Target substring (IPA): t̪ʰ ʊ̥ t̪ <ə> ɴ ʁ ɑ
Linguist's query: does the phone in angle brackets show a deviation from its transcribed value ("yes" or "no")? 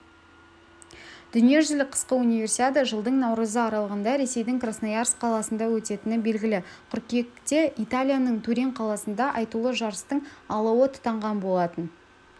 yes